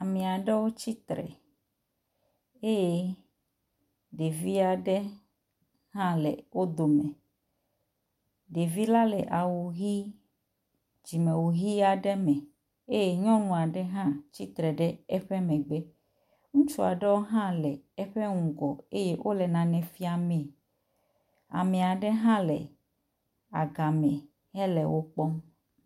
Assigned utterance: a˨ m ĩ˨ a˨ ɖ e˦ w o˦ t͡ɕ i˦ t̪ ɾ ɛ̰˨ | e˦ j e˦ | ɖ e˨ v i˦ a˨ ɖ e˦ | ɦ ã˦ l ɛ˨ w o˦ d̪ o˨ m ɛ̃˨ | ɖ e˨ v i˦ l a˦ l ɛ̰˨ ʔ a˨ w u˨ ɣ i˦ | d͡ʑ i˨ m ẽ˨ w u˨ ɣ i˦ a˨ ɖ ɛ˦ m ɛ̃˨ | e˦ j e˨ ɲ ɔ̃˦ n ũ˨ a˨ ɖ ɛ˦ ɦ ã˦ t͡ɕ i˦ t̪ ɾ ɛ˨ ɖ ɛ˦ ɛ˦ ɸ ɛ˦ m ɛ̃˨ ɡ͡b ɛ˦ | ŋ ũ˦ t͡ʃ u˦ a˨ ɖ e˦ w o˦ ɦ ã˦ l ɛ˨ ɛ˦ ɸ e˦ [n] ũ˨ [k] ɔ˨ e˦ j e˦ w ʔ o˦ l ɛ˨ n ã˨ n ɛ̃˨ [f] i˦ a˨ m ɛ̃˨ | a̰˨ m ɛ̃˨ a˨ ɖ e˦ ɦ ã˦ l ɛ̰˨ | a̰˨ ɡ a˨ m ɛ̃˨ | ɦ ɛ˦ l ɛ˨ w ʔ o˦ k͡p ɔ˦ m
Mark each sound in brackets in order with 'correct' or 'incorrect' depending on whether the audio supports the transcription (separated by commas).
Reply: incorrect, incorrect, correct